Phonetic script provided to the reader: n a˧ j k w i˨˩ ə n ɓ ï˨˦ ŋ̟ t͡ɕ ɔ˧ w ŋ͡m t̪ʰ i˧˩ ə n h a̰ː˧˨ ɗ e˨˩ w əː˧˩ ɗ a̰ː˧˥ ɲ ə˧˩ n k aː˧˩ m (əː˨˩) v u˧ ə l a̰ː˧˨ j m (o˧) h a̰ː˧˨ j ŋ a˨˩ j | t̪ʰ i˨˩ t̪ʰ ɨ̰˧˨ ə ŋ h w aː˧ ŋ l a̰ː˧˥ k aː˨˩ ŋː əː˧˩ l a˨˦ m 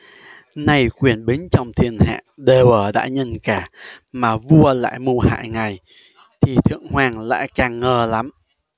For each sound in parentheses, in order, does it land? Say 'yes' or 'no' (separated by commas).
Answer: no, no